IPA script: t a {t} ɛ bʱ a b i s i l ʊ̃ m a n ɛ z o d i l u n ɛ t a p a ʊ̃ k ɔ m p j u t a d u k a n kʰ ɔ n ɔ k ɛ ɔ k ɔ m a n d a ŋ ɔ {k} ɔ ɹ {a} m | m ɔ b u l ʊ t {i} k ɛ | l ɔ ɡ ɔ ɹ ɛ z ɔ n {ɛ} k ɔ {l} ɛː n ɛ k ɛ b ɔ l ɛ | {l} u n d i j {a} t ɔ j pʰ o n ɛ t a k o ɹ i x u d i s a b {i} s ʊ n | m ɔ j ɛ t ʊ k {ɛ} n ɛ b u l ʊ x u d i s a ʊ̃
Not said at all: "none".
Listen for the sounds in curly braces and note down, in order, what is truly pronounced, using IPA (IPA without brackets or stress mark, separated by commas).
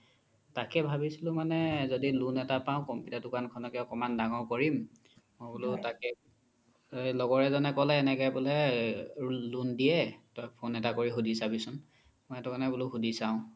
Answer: k, k, i, a, ɛ, l, l, ɛ, i, a